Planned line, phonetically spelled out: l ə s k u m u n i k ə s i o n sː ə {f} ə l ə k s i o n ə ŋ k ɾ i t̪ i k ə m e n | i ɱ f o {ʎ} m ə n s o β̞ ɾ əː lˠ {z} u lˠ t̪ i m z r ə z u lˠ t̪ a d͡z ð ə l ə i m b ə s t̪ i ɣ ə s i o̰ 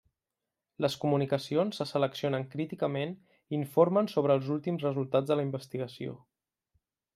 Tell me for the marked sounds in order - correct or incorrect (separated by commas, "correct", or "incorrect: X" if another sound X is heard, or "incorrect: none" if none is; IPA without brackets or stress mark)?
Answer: incorrect: s, incorrect: ɾ, correct